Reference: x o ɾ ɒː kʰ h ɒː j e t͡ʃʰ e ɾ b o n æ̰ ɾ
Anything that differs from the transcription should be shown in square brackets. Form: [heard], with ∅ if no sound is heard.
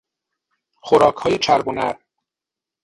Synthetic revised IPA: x o ɾ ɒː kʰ h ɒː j e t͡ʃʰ [æ] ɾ b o n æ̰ ɾ